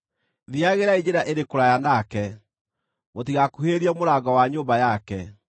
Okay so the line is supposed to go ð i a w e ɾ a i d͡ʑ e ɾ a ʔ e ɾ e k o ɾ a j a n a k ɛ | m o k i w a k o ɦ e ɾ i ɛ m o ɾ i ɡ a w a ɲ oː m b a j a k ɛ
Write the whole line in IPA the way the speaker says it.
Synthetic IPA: ð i a ɣ e ɾ a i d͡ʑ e ɾ a ʔ e ɾ e k o ɾ a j a n a k ɛ | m o t i ɣ a k u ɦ e ɾ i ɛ m o ɾ a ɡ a w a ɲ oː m b a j a k ɛ